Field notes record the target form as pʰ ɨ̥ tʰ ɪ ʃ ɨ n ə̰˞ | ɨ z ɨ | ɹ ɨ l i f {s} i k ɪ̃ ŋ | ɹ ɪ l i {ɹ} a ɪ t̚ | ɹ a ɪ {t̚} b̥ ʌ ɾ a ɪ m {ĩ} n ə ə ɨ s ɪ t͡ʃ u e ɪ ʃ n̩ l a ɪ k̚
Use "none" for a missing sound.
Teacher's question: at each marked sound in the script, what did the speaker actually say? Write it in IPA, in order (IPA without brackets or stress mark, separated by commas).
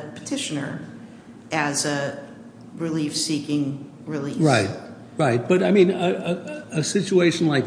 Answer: s, ɹ, t̚, ĩ